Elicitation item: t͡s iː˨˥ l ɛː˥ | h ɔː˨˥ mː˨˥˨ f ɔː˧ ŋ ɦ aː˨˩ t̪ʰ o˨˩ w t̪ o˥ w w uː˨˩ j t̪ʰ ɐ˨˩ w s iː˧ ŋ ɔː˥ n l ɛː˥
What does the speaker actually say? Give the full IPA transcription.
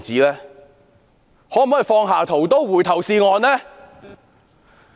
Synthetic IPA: t͡s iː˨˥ l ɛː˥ | h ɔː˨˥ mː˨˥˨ f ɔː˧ ŋ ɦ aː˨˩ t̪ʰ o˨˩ w t̪ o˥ w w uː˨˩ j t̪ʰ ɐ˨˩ w s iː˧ ŋ ɔː˨˧ n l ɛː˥